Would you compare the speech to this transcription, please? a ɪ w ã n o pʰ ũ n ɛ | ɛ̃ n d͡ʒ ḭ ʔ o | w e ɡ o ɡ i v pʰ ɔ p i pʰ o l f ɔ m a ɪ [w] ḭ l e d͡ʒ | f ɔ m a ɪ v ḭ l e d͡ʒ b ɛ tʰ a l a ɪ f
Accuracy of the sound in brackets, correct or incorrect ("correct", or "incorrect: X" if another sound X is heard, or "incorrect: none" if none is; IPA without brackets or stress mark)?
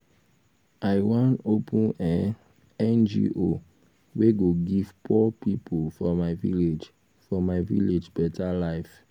incorrect: v